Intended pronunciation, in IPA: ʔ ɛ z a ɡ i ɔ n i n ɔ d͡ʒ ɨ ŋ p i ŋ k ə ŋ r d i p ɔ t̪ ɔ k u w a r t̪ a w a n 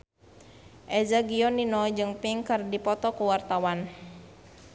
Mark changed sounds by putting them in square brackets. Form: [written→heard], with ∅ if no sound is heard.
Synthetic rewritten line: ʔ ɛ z a ɡ i ɔ n i n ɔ d͡ʒ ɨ ŋ p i ŋ k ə [ŋ→∅] r d i p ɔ t̪ ɔ k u w a r t̪ a w a n